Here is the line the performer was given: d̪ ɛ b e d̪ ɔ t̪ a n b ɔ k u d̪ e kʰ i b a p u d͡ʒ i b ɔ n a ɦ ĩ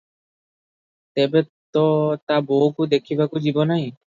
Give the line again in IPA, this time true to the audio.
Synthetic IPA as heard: t̪ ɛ b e t̪ ɔ t̪ a b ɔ k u d̪ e kʰ i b a k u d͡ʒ i b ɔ n a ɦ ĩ